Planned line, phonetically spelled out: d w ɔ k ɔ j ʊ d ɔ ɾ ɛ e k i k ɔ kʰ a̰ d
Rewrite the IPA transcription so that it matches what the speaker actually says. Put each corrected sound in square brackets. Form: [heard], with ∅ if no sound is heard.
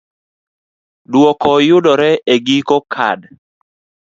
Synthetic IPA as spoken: d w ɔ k ɔ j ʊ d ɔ ɾ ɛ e [ɡ] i k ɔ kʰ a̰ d

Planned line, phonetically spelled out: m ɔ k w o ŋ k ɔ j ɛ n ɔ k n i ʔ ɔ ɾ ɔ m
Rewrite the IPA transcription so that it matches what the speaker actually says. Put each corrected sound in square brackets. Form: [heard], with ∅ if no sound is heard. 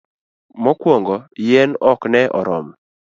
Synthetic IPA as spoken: m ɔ k w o ŋ [ɡ] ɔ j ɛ n ɔ k n [ɛ] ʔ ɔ ɾ ɔ m

